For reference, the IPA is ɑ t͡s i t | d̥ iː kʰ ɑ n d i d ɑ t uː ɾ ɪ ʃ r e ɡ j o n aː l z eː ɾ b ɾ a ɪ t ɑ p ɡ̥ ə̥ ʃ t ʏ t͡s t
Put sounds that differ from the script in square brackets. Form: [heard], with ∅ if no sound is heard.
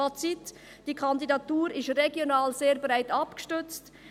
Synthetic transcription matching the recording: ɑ t͡s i t | d̥ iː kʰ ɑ n d i d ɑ t uː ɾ ɪ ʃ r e ɡ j o n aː l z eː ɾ b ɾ a ɪ t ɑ p ɡ̥ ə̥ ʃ t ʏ t͡s t